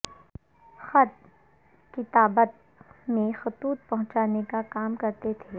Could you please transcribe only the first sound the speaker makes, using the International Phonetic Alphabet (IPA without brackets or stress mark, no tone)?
x